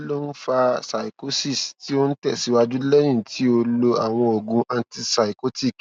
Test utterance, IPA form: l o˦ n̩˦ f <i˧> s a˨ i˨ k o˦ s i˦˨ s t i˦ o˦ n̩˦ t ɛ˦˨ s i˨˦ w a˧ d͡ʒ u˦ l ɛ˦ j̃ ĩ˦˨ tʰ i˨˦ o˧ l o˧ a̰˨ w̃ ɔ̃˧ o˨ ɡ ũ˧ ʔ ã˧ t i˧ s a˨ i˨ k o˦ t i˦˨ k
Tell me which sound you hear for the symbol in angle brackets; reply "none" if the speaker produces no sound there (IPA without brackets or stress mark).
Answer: a˧